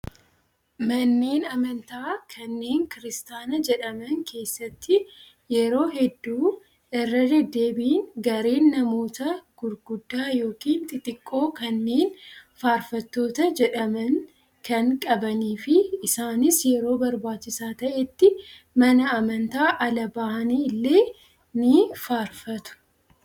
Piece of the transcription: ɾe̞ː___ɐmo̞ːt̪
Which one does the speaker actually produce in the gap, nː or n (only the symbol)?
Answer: nː